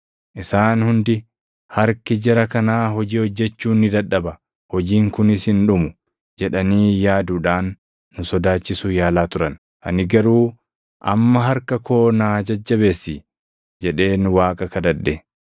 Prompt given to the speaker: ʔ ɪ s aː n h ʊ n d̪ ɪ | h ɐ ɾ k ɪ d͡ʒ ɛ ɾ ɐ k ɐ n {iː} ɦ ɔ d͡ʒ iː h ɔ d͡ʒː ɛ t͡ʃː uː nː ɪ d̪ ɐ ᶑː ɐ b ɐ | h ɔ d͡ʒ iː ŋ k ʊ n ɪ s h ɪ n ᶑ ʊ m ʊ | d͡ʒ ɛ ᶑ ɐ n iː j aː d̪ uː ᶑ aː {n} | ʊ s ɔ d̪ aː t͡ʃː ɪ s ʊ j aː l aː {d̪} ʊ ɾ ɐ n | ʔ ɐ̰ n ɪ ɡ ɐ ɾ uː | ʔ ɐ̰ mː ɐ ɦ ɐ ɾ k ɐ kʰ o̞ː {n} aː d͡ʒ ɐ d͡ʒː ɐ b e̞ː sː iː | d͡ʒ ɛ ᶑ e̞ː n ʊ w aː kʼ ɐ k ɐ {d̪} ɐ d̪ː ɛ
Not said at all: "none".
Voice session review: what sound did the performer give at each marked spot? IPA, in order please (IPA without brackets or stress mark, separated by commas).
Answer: aː, nː, t̪, n, d̪